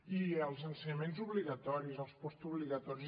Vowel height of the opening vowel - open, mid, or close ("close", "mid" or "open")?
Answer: close